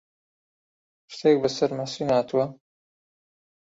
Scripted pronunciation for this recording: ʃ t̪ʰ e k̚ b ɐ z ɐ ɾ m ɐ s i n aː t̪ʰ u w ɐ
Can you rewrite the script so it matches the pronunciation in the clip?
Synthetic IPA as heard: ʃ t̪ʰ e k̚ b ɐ s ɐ ɾ m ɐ s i n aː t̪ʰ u w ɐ